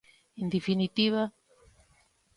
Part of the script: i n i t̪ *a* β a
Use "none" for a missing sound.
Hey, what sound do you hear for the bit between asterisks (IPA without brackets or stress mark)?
i